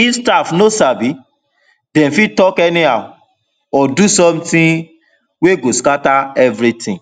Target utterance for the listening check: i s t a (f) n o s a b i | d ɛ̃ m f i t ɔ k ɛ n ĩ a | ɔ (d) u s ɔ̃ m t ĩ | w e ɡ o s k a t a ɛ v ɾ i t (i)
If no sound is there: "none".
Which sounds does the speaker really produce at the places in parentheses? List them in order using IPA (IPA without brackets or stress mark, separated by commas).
f, d, ĩ